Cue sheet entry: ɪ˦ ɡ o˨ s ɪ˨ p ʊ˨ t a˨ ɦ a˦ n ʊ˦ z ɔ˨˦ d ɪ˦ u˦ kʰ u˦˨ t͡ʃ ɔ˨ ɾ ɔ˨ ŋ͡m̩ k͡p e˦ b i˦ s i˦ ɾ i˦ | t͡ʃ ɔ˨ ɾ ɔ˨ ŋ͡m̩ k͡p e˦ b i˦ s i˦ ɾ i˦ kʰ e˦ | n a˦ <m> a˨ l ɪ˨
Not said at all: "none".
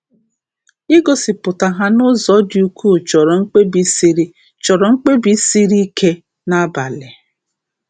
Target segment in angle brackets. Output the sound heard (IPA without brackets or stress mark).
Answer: b